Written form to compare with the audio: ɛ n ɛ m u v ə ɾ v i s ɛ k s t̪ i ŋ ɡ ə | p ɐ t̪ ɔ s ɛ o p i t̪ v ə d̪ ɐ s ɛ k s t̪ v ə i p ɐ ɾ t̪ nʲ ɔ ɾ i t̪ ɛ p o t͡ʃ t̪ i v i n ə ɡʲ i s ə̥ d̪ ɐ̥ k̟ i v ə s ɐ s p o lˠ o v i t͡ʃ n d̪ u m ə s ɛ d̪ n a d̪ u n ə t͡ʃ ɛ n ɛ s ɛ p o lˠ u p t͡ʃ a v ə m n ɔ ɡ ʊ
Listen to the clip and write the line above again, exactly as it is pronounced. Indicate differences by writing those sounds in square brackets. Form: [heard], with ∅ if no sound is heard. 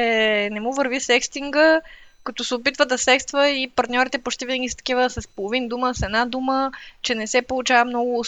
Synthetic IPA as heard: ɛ n ɛ m u v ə ɾ v i s ɛ k s t̪ i ŋ ɡ ə | [k] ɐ t̪ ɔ s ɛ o p i t̪ v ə d̪ ɐ s ɛ k s t̪ v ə i p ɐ ɾ t̪ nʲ ɔ ɾ i t̪ ɛ p o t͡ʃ t̪ i v i n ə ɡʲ i s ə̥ [t̪] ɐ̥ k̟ i v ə s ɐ s p o lˠ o v i [∅] n d̪ u m ə s ɛ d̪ n a d̪ u [m] ə t͡ʃ ɛ n ɛ s ɛ p o lˠ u [∅] t͡ʃ a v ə m n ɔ ɡ ʊ